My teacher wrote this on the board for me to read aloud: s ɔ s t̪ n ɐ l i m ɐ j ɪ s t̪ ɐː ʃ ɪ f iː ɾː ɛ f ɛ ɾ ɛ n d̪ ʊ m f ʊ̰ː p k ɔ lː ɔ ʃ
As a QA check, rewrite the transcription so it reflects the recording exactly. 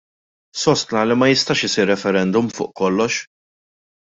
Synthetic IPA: s ɔ s t̪ n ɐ l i m ɐ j ɪ s t̪ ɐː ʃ ɪ s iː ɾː ɛ f ɛ ɾ ɛ n d̪ ʊ m f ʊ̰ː ʔ k ɔ lː ɔ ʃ